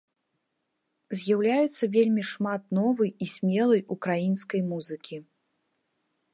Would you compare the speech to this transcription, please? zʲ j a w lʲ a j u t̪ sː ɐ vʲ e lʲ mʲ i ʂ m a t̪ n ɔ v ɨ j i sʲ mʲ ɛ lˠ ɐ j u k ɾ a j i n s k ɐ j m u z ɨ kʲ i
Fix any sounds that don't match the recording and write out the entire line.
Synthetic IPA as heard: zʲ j a w lʲ a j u t̪ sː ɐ vʲ e lʲ mʲ i ʂ m a t̪ n ɔ v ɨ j i sʲ mʲ ɛ lˠ ɐ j u k ɾ a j i n s k ɐ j m u z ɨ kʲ i

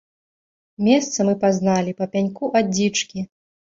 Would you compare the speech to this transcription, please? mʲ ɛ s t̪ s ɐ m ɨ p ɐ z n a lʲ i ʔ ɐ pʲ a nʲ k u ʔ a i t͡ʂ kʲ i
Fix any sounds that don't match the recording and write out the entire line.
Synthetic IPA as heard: mʲ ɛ s t̪ s ɐ m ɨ p a z n a lʲ i p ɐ pʲ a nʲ k u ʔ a i t͡ʂ kʲ i

